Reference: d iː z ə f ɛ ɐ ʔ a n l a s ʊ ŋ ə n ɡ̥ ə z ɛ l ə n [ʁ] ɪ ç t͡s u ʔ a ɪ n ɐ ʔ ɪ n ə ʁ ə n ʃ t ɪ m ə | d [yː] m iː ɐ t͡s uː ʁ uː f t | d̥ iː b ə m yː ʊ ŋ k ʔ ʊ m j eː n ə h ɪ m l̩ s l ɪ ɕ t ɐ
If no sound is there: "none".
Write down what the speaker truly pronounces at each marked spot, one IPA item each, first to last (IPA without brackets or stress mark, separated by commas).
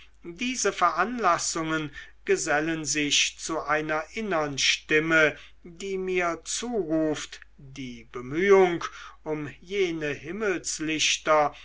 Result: z, iː